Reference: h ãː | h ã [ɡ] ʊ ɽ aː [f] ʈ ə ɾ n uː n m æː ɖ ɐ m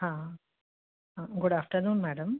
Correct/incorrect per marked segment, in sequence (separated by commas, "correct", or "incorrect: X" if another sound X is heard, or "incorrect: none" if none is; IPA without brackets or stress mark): correct, correct